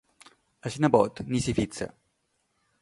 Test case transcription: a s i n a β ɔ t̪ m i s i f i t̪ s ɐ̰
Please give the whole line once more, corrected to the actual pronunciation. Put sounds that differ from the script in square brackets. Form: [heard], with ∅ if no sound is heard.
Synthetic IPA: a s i n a [b] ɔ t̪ [n] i s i f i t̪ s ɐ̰